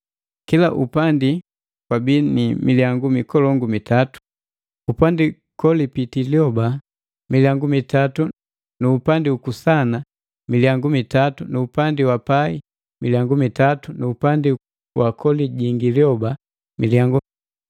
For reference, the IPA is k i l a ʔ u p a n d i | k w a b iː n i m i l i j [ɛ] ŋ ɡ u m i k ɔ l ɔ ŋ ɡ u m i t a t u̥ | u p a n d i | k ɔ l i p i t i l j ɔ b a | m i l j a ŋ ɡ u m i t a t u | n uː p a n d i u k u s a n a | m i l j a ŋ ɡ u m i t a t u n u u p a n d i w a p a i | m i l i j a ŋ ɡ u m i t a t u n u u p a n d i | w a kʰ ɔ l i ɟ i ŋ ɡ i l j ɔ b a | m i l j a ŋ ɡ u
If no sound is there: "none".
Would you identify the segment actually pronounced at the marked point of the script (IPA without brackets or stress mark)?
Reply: a